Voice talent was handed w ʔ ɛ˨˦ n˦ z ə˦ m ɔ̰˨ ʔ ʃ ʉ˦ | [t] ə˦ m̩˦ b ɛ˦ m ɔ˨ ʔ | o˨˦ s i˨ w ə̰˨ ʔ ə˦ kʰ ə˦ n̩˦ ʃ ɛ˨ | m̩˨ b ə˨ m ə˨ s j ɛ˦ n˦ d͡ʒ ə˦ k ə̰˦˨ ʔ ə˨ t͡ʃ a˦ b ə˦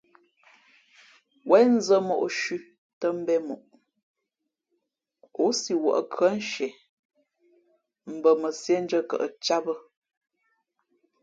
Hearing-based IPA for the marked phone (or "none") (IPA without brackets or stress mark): t